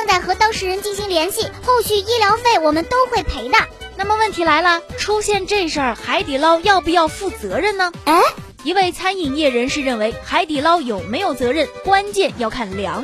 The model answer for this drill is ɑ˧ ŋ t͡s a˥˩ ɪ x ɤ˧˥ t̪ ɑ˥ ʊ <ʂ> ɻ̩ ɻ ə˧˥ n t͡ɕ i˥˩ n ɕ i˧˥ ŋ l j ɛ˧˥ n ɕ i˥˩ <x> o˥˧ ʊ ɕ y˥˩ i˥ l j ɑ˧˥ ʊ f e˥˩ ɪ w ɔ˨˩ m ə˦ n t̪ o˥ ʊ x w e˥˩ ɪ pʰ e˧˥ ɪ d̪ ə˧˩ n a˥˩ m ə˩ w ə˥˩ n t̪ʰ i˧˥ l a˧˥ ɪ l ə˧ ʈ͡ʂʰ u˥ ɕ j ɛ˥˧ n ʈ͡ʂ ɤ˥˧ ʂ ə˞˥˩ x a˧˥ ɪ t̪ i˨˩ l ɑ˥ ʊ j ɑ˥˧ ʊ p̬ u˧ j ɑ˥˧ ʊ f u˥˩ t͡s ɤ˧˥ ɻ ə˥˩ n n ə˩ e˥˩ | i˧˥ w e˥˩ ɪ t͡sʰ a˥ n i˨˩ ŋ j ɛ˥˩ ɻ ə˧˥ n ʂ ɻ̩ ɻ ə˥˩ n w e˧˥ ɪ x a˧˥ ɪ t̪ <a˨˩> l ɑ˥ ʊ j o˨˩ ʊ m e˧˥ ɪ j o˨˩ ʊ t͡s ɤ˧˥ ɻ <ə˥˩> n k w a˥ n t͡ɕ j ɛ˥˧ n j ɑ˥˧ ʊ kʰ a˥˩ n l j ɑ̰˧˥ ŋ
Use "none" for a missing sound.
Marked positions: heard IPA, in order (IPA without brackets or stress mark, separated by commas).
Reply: ʂ, x, i˨˩, ə˥˩